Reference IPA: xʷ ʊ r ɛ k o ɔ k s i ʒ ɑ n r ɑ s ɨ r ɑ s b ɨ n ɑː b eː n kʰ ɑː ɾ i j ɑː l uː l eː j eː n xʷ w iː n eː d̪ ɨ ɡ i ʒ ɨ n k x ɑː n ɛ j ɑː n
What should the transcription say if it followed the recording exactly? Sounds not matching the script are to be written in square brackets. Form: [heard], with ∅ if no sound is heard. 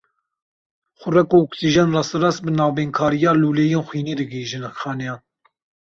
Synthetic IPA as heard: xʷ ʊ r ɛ k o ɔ k s i ʒ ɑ n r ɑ s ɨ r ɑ s b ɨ n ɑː b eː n kʰ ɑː ɾ i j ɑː l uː l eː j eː n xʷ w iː n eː d̪ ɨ ɡ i ʒ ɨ n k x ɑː n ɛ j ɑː n